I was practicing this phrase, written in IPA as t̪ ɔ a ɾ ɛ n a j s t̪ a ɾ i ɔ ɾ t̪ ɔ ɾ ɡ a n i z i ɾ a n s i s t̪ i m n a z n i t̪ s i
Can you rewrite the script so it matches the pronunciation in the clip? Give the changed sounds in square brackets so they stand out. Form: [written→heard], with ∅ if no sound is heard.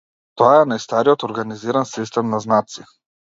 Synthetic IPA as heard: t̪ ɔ a [ɾ→∅] ɛ n a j s t̪ a ɾ i ɔ [ɾ→∅] t̪ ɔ ɾ ɡ a n i z i ɾ a n s i s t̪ [i→ɛ] m n a z n [i→a] t̪ s i